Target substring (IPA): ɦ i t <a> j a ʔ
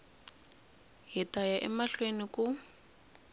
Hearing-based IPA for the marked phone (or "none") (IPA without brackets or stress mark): a